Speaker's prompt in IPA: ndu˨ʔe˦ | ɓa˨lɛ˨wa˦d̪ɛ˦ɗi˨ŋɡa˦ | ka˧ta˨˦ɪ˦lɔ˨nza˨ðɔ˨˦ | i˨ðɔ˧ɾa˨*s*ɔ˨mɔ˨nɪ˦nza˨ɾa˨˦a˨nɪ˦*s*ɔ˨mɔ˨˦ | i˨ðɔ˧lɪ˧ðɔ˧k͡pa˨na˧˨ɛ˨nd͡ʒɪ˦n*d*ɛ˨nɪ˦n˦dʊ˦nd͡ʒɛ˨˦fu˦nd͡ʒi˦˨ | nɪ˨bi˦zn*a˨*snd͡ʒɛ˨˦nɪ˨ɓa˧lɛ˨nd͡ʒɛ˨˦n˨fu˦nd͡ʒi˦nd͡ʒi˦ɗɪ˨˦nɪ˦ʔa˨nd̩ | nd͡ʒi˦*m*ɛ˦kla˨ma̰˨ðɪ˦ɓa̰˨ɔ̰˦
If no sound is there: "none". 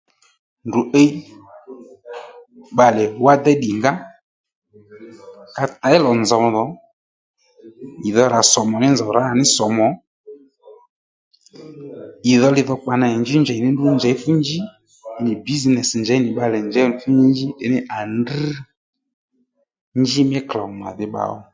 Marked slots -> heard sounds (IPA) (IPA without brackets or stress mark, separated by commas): s, s, d͡ʒ, ɛ˨, m